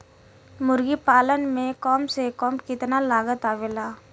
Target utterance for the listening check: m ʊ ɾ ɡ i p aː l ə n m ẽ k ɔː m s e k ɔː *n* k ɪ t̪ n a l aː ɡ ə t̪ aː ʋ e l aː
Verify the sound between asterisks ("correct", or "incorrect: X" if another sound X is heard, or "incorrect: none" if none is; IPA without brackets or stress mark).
incorrect: m